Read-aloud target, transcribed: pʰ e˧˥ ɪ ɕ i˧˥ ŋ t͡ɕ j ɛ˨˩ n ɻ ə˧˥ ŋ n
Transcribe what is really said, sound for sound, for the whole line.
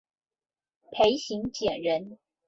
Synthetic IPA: pʰ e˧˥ ɪ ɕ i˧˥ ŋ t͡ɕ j ɛ˨˩ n ɻ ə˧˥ n